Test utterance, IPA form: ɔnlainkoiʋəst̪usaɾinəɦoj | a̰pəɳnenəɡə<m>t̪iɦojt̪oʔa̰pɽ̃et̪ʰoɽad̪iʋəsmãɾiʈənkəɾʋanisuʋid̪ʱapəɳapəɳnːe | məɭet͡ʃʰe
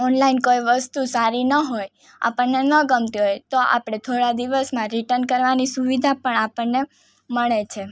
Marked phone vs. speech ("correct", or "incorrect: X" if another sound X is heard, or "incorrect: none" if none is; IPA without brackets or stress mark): correct